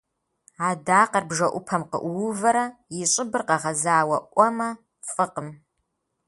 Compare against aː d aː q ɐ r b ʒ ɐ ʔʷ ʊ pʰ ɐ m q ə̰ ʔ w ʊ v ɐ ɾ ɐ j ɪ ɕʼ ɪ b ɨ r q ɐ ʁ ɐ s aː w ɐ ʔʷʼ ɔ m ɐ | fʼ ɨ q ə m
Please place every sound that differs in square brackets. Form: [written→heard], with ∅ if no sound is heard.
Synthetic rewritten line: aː d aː q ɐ r b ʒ ɐ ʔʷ ʊ pʰ ɐ m q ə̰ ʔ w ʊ v ɐ ɾ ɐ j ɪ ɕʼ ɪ b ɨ r q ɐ ʁ ɐ [s→z] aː w ɐ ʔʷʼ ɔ m ɐ | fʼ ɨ q ə m